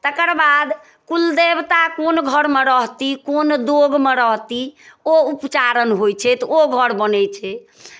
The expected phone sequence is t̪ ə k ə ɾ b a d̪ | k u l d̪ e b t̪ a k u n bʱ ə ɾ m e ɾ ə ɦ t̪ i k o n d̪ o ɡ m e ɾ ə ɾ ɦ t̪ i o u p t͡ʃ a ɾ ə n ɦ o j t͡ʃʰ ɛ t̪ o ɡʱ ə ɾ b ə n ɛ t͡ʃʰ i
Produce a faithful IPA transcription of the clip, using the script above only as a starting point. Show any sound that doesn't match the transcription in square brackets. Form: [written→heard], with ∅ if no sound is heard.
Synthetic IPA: t̪ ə k ə ɾ b a d̪ | k u l d̪ e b t̪ a k [u→o] n [bʱ→ɡʱ] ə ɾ m e ɾ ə ɦ t̪ i k o n d̪ o ɡ m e ɾ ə [ɾ→∅] ɦ t̪ i o u p t͡ʃ a ɾ ə n ɦ o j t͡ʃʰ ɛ t̪ o ɡʱ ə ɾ b ə n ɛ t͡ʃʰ [i→ɛ]